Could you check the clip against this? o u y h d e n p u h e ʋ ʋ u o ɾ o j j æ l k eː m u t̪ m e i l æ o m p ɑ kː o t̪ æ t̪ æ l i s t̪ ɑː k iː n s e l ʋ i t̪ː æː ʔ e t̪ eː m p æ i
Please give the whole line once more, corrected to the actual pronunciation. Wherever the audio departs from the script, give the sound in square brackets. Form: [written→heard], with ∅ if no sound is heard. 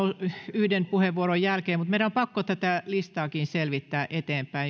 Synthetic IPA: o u y h d e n p u h e ʋ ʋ u o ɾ o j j æ l k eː m u t̪ m e i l æ o m p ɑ kː o t̪ æ t̪ æ l i s t̪ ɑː k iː n s e l ʋ i t̪ː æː ʔ e t̪ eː m p æ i